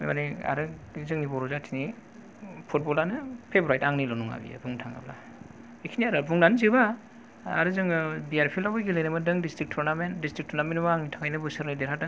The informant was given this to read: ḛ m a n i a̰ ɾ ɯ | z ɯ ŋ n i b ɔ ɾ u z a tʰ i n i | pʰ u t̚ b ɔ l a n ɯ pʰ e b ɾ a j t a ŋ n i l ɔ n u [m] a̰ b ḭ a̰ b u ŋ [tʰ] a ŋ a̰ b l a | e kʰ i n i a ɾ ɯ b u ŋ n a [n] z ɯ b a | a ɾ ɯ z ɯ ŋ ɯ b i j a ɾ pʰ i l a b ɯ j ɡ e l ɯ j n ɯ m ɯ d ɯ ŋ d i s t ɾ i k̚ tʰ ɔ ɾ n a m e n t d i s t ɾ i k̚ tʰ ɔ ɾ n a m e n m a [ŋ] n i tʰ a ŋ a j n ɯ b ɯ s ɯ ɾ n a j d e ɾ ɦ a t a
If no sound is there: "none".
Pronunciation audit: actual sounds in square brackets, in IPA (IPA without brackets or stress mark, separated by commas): ŋ, tʰ, n, ŋ